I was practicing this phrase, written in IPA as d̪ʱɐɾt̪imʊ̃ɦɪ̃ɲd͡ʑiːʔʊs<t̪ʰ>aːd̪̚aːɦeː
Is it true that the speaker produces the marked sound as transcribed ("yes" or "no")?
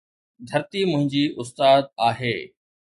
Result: no